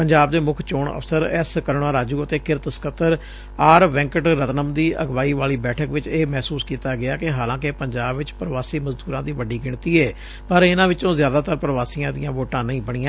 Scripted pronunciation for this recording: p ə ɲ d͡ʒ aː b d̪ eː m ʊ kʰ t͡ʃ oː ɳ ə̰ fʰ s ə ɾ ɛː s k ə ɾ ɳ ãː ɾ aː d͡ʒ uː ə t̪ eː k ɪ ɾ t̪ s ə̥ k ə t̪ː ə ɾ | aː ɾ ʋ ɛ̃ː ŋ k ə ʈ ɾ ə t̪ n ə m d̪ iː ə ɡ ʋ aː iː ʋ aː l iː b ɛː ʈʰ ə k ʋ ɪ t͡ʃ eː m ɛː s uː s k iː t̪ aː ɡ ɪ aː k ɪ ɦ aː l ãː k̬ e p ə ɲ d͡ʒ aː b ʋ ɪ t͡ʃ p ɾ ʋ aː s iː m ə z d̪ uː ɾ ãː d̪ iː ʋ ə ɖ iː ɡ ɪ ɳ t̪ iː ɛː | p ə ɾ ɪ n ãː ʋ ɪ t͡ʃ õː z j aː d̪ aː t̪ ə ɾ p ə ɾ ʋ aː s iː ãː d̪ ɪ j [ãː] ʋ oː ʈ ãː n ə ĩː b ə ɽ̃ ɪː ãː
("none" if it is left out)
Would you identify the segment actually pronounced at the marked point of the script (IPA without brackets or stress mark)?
ãː